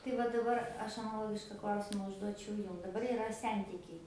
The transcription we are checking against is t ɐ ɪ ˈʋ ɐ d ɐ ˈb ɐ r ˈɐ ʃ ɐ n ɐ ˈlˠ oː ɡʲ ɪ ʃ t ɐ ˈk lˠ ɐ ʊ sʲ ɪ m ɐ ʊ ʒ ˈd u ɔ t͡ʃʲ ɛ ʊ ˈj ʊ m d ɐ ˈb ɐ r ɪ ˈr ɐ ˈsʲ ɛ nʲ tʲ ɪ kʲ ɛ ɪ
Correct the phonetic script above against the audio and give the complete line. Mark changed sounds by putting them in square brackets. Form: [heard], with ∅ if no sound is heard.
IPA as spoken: t ɐ ɪ ˈʋ ɐ d ɐ ˈb ɐ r ˈɐ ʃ ɐ n ɐ ˈlˠ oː ɡʲ ɪ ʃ [k] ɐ ˈk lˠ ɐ ʊ sʲ ɪ m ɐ ʊ ʒ ˈd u ɔ t͡ʃʲ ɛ ʊ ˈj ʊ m d ɐ ˈb ɐ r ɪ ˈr ɐ ˈsʲ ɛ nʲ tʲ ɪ kʲ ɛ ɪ